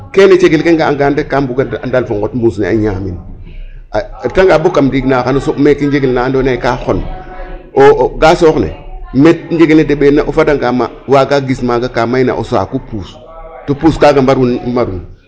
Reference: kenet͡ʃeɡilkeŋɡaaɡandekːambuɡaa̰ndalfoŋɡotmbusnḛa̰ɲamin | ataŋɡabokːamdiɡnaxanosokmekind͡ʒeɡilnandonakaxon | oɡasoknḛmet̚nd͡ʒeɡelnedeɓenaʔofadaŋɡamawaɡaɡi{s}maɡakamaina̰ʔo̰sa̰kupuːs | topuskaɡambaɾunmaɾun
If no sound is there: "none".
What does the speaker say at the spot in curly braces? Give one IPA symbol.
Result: s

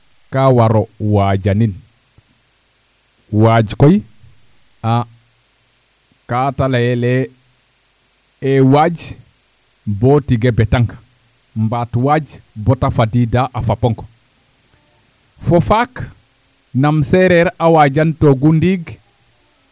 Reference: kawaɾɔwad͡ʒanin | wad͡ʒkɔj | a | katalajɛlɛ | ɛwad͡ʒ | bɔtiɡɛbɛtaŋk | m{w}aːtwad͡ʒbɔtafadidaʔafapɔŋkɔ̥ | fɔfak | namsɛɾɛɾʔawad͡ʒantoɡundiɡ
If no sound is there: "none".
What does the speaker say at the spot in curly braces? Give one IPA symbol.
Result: b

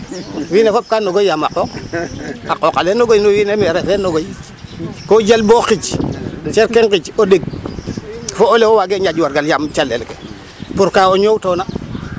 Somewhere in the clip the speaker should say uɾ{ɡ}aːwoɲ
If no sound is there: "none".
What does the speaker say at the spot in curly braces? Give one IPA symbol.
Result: k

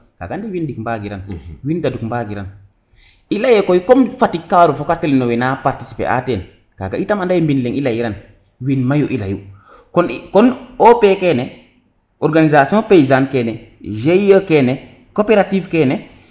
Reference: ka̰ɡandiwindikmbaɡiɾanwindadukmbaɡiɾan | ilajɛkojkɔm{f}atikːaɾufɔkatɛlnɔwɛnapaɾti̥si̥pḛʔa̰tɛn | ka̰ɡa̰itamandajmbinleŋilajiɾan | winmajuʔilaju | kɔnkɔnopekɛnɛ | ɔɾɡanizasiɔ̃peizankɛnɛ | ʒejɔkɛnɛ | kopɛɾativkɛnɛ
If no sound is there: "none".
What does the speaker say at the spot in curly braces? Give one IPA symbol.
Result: f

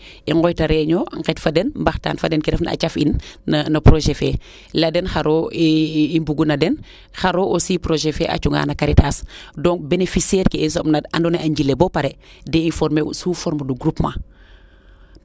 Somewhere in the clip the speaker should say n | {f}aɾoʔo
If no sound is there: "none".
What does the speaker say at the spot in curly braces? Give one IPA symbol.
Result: x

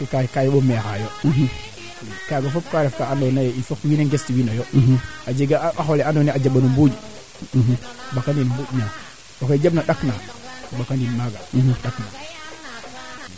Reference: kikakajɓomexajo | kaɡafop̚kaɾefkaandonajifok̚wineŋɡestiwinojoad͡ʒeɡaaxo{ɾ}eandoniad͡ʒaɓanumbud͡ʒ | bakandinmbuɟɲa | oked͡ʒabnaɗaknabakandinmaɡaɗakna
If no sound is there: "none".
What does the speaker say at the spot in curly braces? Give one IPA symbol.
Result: l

